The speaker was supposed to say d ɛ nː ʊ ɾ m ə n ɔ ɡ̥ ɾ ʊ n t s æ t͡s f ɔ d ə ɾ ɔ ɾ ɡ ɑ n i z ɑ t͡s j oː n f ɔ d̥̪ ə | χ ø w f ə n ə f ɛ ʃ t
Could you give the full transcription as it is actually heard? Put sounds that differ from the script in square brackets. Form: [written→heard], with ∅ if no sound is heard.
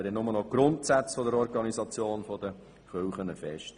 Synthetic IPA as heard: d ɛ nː ʊ [ɾ→∅] m ə n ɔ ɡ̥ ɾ ʊ n t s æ t͡s f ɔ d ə ɾ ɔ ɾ ɡ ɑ n i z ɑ t͡s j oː n f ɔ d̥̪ ə | χ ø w [f→χ] ə n ə f ɛ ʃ t